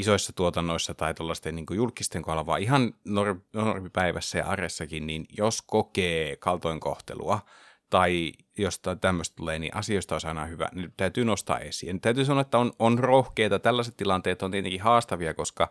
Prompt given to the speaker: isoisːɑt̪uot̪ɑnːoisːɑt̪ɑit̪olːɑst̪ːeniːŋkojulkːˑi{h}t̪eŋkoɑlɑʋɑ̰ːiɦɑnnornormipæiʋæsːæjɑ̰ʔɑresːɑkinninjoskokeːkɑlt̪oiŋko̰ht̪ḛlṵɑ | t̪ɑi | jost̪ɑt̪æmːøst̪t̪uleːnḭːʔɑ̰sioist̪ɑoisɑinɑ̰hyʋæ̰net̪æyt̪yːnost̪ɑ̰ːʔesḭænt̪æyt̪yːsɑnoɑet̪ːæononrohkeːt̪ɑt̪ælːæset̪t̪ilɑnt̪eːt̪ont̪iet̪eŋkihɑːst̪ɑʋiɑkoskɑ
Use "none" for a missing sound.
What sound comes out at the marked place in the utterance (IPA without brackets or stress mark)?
s